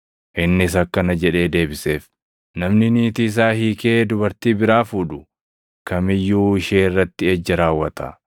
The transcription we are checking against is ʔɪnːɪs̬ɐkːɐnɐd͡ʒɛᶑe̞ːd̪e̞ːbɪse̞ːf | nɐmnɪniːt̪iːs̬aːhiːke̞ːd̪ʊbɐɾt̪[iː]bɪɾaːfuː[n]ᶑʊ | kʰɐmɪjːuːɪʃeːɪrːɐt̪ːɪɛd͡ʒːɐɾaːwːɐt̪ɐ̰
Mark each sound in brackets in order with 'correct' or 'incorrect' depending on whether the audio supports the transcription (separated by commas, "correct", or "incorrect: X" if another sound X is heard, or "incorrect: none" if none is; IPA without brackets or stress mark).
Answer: correct, incorrect: none